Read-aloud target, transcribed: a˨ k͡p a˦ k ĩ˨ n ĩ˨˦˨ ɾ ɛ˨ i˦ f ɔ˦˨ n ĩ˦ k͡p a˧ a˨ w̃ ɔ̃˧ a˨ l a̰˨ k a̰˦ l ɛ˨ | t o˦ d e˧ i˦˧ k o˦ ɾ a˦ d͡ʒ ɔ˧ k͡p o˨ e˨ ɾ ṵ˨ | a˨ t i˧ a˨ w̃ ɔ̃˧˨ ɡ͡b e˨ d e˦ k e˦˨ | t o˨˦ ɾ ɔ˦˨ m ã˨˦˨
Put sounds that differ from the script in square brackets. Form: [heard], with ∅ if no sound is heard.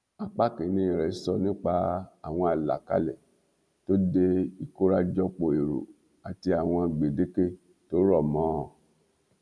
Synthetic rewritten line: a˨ k͡p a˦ k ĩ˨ n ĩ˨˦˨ ɾ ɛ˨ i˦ [s] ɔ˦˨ n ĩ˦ k͡p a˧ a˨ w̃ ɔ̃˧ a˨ l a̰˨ k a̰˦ l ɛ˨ | t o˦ d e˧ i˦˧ k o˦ ɾ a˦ d͡ʒ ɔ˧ k͡p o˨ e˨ ɾ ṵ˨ | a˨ t i˧ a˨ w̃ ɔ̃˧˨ ɡ͡b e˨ d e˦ k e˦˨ | t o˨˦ ɾ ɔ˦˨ m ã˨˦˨